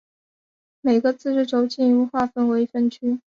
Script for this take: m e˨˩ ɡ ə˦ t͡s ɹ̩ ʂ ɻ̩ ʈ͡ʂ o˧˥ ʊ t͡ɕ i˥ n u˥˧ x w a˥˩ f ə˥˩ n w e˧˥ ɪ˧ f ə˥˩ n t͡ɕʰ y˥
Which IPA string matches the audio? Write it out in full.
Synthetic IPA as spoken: m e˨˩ ɡ ə˦ t͡s ɹ̩ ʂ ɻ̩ ʈ͡ʂ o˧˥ ʊ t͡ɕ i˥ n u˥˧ x w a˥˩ f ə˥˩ n w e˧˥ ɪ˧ f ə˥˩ n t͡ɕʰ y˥